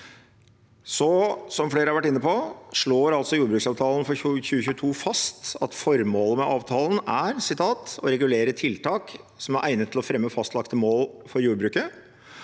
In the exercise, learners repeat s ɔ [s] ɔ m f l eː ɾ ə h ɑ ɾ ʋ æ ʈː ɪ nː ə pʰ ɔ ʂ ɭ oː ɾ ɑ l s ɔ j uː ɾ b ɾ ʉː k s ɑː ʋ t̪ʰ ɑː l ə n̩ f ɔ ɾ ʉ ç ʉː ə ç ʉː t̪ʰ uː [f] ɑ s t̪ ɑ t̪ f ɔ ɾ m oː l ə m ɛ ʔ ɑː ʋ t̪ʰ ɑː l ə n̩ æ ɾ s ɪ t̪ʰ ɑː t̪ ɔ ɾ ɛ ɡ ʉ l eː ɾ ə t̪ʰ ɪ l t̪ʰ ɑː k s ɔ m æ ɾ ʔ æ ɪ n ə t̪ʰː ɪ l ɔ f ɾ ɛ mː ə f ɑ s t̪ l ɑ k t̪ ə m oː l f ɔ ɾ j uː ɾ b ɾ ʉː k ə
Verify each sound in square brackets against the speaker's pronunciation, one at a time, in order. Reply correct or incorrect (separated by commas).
correct, correct